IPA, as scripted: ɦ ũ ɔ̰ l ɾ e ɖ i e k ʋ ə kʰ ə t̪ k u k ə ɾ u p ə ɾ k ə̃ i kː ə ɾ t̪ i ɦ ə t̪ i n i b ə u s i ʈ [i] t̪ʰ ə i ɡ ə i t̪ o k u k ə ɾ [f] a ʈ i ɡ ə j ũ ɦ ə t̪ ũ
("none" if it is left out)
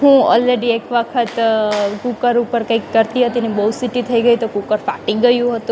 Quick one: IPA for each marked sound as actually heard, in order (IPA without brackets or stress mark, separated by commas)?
i, f